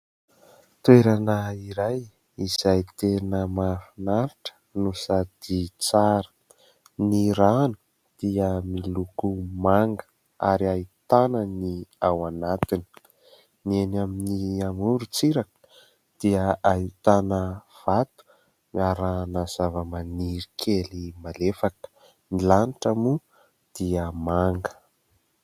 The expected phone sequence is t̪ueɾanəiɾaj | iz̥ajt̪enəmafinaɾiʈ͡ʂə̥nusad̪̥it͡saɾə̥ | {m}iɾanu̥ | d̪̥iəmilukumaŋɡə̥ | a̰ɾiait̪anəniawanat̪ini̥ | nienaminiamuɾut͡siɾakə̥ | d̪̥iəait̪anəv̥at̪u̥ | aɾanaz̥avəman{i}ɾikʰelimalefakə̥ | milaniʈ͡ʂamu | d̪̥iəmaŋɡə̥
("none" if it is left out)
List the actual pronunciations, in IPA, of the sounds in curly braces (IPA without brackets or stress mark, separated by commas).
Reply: n, i